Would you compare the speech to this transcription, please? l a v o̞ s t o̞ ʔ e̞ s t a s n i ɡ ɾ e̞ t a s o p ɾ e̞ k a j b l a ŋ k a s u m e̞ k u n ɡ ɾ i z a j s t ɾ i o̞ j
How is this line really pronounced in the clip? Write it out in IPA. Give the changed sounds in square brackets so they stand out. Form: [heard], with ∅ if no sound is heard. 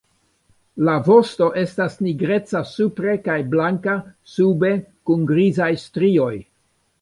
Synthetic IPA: l a v o̞ s t o̞ ʔ e̞ s t a s n i ɡ ɾ e̞ [t͡s] a s [u] p ɾ e̞ k a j b l a ŋ k a s u [b] e̞ k u n ɡ ɾ i z a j s t ɾ i o̞ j